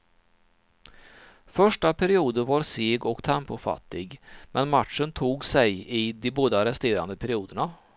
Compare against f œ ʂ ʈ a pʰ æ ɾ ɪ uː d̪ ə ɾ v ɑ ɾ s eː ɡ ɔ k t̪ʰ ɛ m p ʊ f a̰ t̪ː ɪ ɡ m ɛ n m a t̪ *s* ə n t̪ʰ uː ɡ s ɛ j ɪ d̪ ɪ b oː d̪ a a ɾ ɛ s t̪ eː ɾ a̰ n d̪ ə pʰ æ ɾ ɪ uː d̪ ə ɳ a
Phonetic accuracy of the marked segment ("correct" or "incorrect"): incorrect